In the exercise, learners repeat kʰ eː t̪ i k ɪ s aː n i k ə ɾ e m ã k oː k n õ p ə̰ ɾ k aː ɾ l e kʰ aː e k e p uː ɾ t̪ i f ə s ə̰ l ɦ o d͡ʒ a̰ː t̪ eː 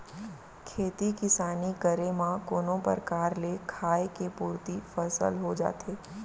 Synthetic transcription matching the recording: kʰ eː t̪ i k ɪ s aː n i k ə ɾ e m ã k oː n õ p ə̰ ɾ k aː ɾ l e kʰ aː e k e p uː ɾ t̪ i f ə s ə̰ l ɦ o d͡ʒ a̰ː t̪ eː